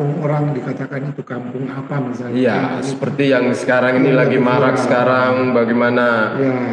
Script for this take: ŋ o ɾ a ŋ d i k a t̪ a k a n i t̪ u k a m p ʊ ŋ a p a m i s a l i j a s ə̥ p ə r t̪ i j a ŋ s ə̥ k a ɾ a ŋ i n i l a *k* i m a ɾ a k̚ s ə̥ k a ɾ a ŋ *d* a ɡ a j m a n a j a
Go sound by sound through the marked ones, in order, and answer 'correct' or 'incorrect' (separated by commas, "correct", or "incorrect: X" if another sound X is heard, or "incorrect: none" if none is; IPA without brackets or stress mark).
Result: incorrect: ɡ, incorrect: b